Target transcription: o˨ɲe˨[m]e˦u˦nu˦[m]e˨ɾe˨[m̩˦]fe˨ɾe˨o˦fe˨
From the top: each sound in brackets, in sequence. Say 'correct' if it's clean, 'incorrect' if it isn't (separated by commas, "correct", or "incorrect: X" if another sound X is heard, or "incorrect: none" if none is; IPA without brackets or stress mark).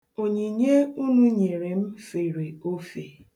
incorrect: ɲ, incorrect: ɲ, correct